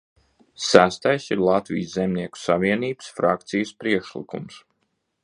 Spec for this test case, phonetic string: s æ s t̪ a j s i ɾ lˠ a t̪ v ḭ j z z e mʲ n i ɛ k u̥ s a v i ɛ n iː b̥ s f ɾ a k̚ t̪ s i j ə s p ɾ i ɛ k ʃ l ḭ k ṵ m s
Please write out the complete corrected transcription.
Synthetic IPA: s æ s t̪ a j s i ɾ lˠ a t̪ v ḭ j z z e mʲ n i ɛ k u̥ s a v i ɛ n iː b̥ s f ɾ a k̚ t̪ s i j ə s p ɾ i ɛ k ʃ l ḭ k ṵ m s